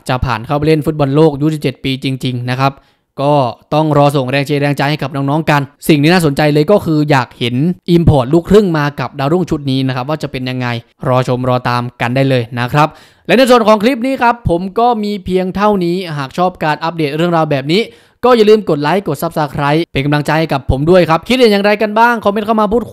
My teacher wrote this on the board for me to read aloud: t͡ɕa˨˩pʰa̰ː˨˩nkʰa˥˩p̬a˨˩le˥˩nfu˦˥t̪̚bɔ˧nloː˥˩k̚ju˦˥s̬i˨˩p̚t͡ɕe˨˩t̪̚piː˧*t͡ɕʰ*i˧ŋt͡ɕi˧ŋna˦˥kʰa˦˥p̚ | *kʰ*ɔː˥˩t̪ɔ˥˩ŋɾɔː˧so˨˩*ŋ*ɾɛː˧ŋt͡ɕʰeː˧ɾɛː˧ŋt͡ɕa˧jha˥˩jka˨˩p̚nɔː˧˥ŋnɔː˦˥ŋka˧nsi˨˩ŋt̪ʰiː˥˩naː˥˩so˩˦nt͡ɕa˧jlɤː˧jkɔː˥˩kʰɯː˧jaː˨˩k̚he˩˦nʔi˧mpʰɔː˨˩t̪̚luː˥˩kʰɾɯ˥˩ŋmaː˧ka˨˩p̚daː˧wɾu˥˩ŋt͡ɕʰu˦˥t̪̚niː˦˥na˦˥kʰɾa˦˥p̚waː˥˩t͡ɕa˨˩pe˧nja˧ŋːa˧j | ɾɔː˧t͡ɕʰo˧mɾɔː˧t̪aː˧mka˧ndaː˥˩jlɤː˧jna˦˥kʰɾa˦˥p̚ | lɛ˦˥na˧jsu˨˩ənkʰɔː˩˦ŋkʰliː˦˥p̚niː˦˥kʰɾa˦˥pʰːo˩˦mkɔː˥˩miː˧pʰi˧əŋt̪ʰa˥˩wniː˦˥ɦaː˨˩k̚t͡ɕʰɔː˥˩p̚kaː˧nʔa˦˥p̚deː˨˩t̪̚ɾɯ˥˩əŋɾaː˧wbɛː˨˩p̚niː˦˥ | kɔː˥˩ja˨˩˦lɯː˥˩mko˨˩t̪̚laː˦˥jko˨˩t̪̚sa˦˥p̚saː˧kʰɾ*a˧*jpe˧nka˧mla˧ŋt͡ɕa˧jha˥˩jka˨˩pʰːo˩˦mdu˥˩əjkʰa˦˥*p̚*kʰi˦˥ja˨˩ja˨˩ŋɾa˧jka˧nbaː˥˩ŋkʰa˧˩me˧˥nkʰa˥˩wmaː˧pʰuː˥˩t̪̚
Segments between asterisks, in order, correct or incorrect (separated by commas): incorrect, incorrect, correct, incorrect, correct